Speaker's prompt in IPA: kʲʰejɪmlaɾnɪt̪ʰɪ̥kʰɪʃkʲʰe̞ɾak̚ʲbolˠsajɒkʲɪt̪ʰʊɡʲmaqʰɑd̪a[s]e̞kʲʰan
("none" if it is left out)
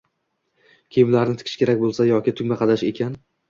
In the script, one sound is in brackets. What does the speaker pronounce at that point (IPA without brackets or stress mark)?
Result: ʃ